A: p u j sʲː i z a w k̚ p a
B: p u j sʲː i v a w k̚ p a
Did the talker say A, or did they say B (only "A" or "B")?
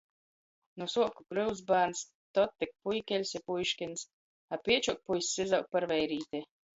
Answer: A